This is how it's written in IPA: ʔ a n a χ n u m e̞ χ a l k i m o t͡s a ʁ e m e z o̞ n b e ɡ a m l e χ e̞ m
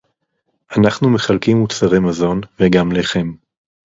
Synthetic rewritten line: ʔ a n a χ n u m e̞ χ a l k i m u t͡s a ʁ e m a z o̞ n v e ɡ a m l e χ e̞ m